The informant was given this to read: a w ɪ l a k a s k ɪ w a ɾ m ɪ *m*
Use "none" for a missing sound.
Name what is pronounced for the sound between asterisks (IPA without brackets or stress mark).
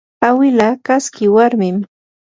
m